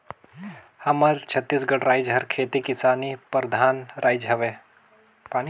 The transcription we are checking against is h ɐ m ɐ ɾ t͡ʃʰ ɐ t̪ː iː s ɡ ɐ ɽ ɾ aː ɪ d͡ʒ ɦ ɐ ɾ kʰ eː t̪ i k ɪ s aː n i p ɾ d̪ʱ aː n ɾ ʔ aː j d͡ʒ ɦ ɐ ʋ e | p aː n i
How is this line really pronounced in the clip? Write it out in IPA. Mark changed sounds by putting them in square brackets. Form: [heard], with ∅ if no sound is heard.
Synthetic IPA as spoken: h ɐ m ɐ ɾ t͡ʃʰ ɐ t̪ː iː s ɡ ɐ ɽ ɾ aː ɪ d͡ʒ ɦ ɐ ɾ kʰ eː t̪ i k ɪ s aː n i p ɾ d̪ʱ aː n ɾ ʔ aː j d͡ʒ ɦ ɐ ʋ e | p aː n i